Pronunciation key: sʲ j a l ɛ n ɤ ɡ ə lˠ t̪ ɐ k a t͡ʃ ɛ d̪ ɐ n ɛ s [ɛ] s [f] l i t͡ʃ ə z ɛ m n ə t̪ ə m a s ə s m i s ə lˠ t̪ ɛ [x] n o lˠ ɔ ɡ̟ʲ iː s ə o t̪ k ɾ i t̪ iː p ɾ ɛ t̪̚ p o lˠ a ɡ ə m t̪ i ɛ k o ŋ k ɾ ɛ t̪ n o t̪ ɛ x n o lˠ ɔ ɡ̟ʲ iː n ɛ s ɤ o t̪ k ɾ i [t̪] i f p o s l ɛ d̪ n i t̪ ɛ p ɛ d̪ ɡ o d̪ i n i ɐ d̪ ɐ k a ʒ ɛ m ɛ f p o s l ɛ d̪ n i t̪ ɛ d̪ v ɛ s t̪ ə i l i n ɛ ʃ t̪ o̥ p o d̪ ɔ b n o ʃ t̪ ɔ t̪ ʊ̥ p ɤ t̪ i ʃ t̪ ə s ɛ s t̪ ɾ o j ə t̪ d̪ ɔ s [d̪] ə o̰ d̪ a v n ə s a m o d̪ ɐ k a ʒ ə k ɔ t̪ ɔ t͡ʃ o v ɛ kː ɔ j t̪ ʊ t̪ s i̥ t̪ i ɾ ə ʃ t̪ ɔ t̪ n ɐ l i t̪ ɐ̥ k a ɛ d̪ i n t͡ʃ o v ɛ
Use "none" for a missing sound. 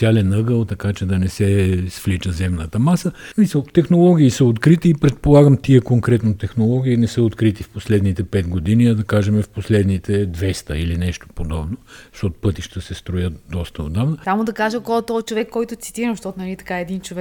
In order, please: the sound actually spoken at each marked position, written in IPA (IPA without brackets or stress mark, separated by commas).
ɛ, f, x, t̪, t̪